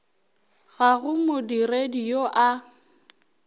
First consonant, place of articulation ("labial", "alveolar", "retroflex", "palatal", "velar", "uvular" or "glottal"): velar